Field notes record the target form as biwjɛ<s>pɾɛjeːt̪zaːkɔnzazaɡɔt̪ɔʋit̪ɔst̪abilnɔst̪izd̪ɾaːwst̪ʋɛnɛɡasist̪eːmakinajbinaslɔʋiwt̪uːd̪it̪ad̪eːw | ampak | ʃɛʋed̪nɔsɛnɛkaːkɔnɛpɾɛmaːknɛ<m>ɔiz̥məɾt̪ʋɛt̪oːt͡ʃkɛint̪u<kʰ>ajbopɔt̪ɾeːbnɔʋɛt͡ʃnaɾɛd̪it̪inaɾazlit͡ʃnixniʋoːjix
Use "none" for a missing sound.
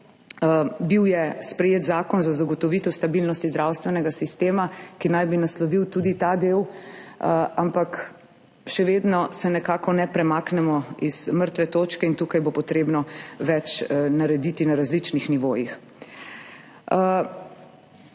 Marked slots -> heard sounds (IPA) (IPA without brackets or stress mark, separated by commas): s, m, k